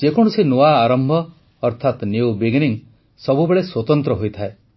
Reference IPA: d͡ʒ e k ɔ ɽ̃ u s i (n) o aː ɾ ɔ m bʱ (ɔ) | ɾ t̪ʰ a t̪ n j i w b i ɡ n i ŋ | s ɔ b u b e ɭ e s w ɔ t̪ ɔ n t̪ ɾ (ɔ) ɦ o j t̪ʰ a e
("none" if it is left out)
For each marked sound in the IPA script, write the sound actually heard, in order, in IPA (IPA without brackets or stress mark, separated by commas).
n, ɔː, ɔ